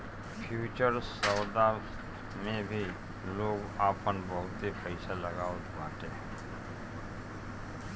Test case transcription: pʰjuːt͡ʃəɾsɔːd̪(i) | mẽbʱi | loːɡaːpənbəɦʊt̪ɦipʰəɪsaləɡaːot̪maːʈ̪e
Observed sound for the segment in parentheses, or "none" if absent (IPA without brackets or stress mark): a